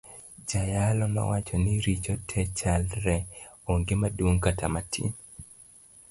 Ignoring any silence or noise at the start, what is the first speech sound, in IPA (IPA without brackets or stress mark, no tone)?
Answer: d͡ʒ